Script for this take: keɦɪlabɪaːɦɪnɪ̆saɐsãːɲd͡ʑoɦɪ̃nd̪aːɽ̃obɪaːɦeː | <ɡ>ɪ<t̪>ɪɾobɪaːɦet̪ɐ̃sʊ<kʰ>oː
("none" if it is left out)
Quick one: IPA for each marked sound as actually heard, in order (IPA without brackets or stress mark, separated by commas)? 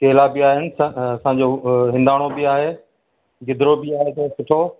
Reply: ɡ, d̪, ʈʰ